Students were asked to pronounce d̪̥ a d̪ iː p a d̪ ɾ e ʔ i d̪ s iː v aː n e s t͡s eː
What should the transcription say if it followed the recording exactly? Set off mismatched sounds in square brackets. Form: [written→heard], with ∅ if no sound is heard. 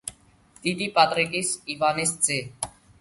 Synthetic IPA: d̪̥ [a→i] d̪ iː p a [d̪→t̪] ɾ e [ʔ→k] i [d̪→∅] s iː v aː n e s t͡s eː